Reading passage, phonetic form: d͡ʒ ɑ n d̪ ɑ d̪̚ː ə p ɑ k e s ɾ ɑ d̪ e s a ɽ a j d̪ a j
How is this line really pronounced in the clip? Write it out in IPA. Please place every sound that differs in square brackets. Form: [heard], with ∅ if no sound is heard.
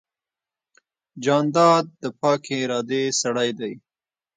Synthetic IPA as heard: d͡ʒ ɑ n d̪ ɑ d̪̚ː ə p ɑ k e [∅] ɾ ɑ d̪ e s a ɽ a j d̪ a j